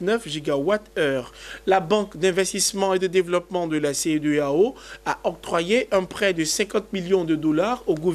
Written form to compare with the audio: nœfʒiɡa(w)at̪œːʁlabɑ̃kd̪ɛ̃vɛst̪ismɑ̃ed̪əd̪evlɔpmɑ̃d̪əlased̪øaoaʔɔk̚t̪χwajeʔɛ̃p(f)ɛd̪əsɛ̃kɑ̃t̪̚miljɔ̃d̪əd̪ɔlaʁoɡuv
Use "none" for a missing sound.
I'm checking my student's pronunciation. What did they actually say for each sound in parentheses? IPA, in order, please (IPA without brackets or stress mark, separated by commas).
w, χ